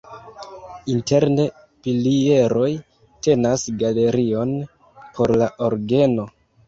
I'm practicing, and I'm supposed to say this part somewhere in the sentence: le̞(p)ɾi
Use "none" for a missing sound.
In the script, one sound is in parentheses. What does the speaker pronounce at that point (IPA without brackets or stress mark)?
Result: none